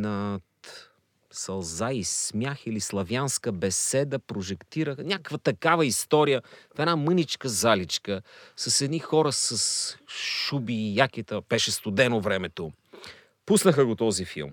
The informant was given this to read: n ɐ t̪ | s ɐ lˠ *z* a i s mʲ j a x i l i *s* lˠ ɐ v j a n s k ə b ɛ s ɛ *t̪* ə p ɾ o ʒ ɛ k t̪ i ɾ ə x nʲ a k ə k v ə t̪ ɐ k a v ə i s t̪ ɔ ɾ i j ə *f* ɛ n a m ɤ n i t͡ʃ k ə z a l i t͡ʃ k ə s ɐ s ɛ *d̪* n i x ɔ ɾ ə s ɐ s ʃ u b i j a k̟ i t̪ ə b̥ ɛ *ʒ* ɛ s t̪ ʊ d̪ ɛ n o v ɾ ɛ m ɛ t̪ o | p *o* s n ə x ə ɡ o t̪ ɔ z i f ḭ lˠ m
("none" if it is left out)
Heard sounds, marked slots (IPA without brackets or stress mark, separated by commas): z, s, d̪, f, d̪, ʃ, u